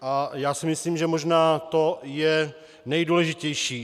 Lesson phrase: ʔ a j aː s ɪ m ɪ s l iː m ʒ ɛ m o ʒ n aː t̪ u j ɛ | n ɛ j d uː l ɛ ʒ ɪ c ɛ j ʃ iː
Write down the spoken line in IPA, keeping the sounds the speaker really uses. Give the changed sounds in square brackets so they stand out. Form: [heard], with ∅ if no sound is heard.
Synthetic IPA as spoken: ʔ a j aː s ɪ m ɪ s l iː m ʒ ɛ m o ʒ n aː t̪ [o] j ɛ | n ɛ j d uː l ɛ ʒ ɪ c ɛ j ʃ iː

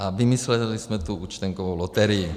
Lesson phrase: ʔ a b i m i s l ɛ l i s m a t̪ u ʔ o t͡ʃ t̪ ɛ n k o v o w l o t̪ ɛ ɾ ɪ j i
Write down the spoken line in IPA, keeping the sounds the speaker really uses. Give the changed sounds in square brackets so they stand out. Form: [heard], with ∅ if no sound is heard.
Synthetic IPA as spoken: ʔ a [v] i m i s l ɛ l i s m [ɛ] t̪ u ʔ [u] t͡ʃ t̪ ɛ [ŋ] k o v o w l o t̪ ɛ ɾ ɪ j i

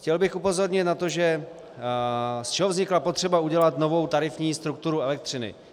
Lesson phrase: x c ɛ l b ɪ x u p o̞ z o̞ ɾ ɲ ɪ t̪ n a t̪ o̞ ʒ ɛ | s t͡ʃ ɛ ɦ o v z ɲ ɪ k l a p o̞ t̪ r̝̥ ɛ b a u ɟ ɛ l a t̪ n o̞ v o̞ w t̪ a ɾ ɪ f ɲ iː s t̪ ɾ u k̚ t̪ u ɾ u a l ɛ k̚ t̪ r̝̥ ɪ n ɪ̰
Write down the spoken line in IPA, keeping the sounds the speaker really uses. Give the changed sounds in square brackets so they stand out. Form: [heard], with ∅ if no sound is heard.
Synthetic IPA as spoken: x c ɛ l b ɪ x u p o̞ z o̞ ɾ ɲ ɪ t̪ n a t̪ o̞ ʒ ɛ | s t͡ʃ ɛ ɦ o v z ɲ ɪ k l a p o̞ t̪ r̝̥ ɛ b a u ɟ ɛ l a t̪ n o̞ v o̞ w t̪ a ɾ ɪ f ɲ iː s t̪ ɾ u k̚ t̪ u ɾ u [ɛ] l ɛ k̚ t̪ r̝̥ ɪ n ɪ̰

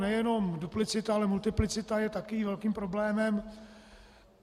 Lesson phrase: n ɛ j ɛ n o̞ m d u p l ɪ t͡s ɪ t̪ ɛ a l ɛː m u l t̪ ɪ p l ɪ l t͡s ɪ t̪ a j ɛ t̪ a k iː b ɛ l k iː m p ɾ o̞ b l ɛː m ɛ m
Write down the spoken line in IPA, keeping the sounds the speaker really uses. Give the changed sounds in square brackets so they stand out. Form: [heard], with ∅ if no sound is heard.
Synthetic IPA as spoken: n ɛ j ɛ n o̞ m d u p l ɪ t͡s ɪ t̪ [a] a l [ɛ] m u l t̪ ɪ p l ɪ [∅] t͡s ɪ t̪ a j ɛ t̪ a k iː [v] ɛ l k iː m p ɾ o̞ b l ɛː m ɛ m

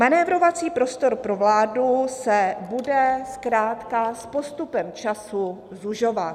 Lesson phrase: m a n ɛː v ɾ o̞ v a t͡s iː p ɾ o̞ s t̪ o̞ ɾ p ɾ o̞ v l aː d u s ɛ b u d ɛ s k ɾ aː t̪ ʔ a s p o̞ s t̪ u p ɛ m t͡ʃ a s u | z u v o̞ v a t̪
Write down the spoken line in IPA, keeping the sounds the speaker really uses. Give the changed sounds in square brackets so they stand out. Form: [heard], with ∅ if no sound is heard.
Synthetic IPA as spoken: m a n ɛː v ɾ o̞ v a t͡s iː p ɾ o̞ s t̪ o̞ ɾ p ɾ o̞ v l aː d u s ɛ b u d ɛ s k ɾ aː t̪ [k] a s p o̞ s t̪ u p ɛ m t͡ʃ a s u | z u [ʒ] o̞ v a t̪

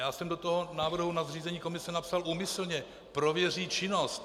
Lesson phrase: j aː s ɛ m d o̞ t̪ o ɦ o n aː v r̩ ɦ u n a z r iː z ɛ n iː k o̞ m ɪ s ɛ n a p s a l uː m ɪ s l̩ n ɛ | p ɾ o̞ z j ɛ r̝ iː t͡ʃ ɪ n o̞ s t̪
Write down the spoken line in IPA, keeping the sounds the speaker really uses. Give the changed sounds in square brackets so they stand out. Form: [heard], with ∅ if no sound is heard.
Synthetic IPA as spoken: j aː s ɛ m d o̞ t̪ o ɦ o n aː v r̩ ɦ u n a z r iː z ɛ [ɲ] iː k o̞ m ɪ s ɛ n a p s a l uː m ɪ s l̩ [ɲ] ɛ | p ɾ o̞ [v] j ɛ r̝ iː t͡ʃ ɪ n o̞ s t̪

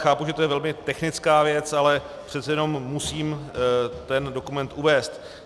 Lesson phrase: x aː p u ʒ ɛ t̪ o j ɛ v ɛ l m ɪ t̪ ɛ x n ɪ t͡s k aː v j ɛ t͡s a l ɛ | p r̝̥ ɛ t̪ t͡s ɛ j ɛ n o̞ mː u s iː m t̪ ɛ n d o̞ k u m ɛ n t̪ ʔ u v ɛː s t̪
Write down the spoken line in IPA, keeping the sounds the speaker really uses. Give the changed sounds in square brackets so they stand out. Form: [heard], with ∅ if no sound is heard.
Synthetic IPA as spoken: x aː p u ʒ ɛ t̪ o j ɛ v ɛ l m ɪ t̪ ɛ x n ɪ t͡s k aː v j ɛ t͡s a l ɛ | p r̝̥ ɛ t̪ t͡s ɛ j ɛ n o̞ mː u s iː m t̪ ɛ n d o̞ k u m ɛ n t̪ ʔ u v ɛː s t̪

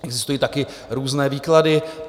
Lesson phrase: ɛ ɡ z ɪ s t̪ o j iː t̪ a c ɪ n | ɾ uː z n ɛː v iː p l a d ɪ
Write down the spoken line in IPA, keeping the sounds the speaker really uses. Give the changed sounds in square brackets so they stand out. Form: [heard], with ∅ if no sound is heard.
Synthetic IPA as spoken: ɛ ɡ z ɪ s t̪ [u] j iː t̪ a [k] ɪ [∅] | ɾ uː z n ɛː v iː [k] l a d ɪ

